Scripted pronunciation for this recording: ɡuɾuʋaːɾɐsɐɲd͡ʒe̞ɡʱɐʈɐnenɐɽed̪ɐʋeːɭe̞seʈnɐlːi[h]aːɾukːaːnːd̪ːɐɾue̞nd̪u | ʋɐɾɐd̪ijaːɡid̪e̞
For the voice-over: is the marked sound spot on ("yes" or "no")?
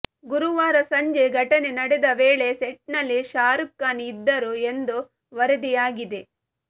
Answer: no